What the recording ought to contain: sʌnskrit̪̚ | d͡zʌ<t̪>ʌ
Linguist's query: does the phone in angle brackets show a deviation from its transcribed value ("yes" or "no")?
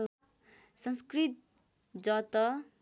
no